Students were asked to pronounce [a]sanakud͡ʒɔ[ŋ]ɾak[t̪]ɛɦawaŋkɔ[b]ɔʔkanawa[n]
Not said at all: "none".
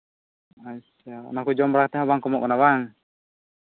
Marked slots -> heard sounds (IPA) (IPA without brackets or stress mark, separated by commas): a, m, t̪, m, ŋ